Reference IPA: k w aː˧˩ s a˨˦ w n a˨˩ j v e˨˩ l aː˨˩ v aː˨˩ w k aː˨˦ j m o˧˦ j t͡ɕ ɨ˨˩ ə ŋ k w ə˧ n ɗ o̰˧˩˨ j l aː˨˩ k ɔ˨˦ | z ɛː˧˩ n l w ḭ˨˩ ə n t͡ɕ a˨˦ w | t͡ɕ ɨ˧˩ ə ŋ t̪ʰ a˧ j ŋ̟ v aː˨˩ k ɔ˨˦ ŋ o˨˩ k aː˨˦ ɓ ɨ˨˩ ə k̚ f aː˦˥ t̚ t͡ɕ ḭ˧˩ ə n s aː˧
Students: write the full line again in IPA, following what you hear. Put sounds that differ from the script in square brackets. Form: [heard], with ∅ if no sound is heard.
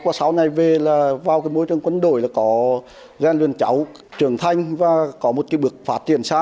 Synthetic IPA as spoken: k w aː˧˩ s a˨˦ w n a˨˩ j v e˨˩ l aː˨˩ v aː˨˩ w k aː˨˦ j m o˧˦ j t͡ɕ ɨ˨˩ ə ŋ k w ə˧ n ɗ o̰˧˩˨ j l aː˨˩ k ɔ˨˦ | z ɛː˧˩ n l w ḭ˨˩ ə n t͡ɕ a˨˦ w | t͡ɕ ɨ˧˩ ə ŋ t̪ʰ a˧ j ŋ̟ v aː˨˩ k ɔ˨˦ [m] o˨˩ k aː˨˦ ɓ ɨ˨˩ ə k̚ f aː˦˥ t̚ t͡ɕ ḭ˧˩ ə n s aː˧